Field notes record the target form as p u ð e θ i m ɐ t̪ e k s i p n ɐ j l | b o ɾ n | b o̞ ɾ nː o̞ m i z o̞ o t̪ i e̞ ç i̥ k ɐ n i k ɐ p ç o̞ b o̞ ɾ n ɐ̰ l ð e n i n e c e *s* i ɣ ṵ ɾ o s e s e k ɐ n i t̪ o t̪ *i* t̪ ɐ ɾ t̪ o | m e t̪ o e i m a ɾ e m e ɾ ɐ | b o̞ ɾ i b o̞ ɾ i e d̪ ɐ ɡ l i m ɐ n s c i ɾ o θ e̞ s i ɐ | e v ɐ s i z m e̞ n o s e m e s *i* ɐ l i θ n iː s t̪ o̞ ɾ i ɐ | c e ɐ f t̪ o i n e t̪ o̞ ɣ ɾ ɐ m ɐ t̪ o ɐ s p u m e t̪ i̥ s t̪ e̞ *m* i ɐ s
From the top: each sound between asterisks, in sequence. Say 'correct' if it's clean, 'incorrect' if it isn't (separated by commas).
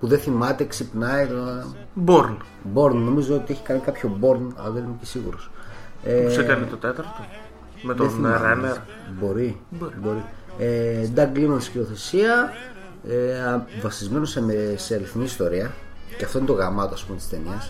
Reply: correct, incorrect, incorrect, incorrect